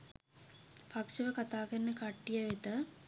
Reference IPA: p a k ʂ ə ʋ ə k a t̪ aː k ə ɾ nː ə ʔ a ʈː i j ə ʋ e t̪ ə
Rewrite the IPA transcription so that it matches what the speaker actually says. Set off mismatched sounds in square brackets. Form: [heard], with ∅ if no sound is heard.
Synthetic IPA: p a k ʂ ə ʋ ə k a t̪ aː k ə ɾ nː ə [k] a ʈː i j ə ʋ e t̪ ə